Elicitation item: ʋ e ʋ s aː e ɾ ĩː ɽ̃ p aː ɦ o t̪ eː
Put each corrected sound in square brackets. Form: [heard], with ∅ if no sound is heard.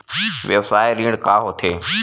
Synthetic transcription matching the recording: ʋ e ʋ s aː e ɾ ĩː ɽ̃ [k] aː ɦ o [t̪ʰ] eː